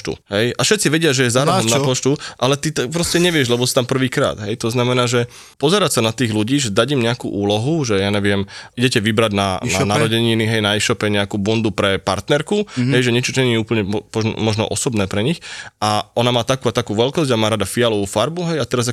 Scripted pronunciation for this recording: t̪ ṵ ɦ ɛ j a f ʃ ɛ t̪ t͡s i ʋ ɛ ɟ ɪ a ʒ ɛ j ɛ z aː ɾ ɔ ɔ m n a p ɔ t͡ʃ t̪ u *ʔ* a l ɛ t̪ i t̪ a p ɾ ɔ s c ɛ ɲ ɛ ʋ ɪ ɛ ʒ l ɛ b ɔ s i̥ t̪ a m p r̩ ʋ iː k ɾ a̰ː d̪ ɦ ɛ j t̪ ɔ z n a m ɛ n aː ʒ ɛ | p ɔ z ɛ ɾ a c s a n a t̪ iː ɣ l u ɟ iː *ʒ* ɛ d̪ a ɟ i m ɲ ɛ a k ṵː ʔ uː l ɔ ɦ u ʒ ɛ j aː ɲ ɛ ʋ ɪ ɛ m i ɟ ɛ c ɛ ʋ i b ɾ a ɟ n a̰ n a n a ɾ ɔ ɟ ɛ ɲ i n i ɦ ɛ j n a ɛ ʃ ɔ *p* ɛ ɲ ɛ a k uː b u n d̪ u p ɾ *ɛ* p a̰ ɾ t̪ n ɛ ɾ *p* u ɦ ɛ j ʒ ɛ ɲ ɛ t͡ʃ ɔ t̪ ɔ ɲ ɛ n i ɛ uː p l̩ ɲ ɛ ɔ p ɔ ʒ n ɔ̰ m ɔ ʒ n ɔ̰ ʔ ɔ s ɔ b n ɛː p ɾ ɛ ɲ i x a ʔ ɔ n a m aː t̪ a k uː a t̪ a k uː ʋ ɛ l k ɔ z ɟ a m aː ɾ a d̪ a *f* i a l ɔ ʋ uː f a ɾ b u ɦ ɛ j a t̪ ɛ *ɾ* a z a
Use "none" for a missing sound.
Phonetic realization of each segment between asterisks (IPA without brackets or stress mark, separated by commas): ʔ, ʒ, p, ɛ, k, f, ɾ